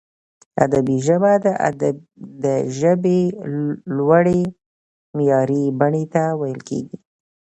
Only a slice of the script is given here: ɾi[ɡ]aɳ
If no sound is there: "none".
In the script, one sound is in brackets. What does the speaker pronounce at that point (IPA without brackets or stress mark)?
b